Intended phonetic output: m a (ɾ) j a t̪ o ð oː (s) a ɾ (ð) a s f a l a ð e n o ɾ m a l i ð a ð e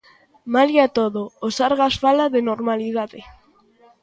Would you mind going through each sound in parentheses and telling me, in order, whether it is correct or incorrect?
incorrect: l, correct, incorrect: ɣ

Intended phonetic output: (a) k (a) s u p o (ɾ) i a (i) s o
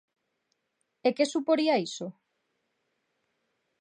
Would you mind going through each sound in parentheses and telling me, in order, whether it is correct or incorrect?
incorrect: e, incorrect: e, correct, correct

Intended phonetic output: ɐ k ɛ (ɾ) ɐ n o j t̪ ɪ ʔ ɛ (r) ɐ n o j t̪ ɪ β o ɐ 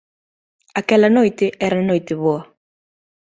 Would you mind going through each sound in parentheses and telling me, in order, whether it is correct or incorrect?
incorrect: l, incorrect: ɾ

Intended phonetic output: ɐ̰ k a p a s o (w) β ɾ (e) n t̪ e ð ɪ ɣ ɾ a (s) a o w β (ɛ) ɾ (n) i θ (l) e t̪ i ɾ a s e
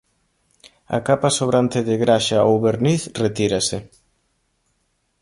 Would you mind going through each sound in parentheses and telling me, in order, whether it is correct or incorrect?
incorrect: none, incorrect: a, incorrect: ʃ, incorrect: e, correct, incorrect: r

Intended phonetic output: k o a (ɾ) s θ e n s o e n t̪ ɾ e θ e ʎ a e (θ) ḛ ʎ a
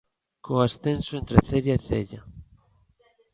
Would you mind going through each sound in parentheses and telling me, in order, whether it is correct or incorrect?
incorrect: none, correct

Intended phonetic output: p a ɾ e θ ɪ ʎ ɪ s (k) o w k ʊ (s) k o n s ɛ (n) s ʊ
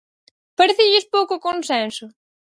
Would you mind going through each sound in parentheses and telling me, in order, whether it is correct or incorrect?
incorrect: p, incorrect: none, correct

